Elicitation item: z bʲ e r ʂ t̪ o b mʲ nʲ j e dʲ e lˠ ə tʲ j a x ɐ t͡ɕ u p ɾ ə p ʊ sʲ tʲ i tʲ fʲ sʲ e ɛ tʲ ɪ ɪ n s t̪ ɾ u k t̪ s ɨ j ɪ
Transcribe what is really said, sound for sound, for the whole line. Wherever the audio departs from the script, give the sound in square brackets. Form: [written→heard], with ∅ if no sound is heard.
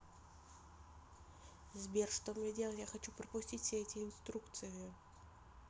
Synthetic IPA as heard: z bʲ e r ʂ t̪ o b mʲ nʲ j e dʲ e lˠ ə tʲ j a x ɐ t͡ɕ u p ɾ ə p ʊ sʲ tʲ i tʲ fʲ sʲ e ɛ tʲ ɪ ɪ n s t̪ ɾ u k t̪ s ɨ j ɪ